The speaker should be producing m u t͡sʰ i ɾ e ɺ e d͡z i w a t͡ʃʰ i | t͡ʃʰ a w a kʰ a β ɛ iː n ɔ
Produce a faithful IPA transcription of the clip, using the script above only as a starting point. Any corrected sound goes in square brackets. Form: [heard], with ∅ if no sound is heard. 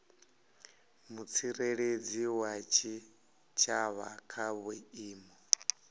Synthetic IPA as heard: m u t͡sʰ i ɾ e ɺ e d͡z i w a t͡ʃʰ i | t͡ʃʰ a [β] a kʰ a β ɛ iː [m] ɔ